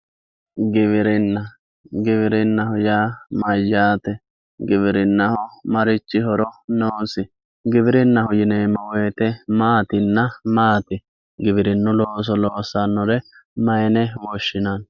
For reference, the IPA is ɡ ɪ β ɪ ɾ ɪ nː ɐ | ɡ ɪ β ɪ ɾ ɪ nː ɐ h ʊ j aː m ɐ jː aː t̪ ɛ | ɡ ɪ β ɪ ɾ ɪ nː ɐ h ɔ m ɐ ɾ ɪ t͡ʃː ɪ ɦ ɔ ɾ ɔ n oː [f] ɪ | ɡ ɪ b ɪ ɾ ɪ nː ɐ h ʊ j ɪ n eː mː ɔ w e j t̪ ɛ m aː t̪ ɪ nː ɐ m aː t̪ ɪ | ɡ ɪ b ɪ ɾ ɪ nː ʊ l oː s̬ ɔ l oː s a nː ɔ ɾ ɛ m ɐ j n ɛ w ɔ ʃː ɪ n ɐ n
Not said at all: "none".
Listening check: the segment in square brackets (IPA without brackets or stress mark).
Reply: s